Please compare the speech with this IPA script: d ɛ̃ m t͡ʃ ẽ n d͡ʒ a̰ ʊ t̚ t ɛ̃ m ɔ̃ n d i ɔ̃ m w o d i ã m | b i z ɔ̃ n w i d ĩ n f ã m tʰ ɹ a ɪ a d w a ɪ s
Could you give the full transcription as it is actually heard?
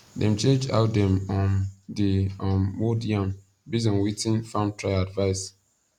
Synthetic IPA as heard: d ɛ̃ m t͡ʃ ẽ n d͡ʒ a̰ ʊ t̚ d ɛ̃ m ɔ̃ n d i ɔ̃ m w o d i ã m | b i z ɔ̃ n w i t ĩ n f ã m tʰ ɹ a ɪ a d v a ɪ s